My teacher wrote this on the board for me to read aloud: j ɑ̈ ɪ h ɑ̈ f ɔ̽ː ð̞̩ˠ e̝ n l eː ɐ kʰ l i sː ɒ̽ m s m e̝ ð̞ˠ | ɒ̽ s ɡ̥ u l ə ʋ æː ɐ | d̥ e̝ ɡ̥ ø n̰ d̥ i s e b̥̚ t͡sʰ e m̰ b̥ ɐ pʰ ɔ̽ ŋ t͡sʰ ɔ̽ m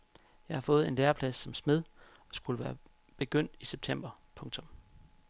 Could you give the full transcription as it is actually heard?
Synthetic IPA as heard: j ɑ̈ ɪ h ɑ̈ f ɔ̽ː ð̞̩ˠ e̝ n l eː ɐ pʰ l æ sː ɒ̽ m s m e̝ ð̞ˠ | ɒ̽ s ɡ̥ u l ə ʋ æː ɐ | b̥ e̝ ɡ̥ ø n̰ d̥ i s e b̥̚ t͡sʰ e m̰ b̥ ɐ pʰ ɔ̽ ŋ t͡sʰ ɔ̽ m